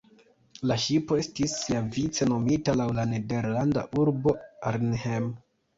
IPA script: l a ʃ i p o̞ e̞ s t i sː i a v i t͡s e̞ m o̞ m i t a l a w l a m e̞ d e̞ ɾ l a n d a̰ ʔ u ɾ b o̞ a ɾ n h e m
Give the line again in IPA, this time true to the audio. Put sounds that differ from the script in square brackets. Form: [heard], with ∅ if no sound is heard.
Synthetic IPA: l a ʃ i p o̞ e̞ s t i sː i a v i t͡s e̞ [n] o̞ m i t a l a w l a [n] e̞ d e̞ ɾ l a n d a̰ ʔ u ɾ b o̞ a ɾ n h e m